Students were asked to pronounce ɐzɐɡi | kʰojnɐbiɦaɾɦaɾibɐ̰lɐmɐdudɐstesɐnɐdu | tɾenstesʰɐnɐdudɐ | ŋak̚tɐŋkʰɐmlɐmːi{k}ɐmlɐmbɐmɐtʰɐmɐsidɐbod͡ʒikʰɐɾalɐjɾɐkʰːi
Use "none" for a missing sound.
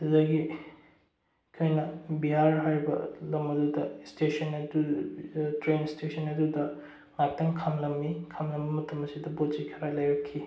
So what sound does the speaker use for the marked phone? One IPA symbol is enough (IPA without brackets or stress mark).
kʰ